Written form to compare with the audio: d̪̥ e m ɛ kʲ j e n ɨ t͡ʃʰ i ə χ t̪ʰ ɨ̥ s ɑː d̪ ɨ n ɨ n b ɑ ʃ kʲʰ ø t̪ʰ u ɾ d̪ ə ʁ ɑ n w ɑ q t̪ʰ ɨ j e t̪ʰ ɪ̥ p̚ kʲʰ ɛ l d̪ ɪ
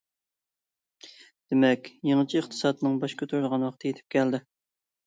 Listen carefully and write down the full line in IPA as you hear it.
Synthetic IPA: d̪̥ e m ɛ kʲ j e ŋ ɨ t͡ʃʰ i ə χ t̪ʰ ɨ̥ s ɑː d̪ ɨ n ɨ ŋ b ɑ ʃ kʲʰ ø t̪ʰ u ɾ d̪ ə ʁ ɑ n w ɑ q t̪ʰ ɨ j e t̪ʰ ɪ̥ p̚ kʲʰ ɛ l d̪ ɪ